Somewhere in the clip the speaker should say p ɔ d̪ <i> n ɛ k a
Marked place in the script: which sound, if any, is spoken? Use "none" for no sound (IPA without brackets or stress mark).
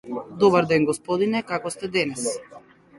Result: i